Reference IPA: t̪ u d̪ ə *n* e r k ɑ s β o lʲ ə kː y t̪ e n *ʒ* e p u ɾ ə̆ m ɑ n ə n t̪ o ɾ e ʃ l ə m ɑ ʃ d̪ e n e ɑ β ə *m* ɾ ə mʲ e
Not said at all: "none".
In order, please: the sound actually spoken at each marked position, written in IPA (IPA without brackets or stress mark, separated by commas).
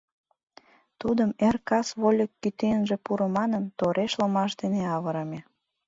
m, ʒ, none